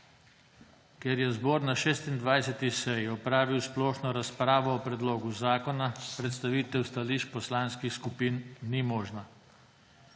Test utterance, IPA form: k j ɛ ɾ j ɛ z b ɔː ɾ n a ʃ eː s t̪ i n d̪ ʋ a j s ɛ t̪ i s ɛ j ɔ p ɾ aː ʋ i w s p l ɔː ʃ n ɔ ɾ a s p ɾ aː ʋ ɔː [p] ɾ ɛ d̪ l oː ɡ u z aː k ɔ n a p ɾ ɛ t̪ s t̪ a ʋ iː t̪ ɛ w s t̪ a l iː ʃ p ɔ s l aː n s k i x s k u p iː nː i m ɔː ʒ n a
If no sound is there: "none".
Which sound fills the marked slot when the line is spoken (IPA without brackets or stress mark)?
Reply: p